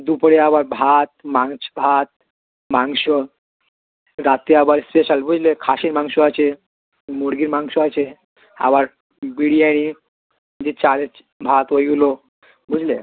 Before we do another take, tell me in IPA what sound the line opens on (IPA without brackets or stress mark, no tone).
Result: d̪